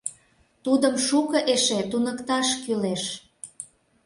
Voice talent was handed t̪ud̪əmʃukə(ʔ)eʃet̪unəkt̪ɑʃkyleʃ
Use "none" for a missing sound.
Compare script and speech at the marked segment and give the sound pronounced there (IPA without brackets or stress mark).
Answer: ʔ